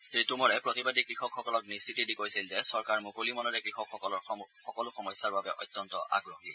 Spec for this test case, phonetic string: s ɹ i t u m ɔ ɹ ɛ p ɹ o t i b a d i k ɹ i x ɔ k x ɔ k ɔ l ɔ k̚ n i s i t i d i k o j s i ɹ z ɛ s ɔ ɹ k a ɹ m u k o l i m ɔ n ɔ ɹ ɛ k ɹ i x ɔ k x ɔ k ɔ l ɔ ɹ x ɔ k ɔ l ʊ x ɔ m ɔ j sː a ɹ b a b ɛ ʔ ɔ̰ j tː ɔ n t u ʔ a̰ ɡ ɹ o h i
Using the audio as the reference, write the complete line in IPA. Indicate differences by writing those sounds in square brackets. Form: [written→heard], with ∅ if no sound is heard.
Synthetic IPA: s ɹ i t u m ɔ ɹ ɛ p ɹ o t i b a d i k ɹ i x ɔ k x ɔ k ɔ l ɔ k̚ n i s i t i d i k o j s i [ɹ→l] z ɛ s ɔ ɹ k a ɹ m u k o l i m ɔ n ɔ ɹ ɛ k ɹ i x ɔ k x ɔ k ɔ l ɔ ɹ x ɔ k ɔ l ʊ x ɔ m ɔ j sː a ɹ b a b ɛ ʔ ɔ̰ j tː ɔ n t [u→ɔ] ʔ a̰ ɡ ɹ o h i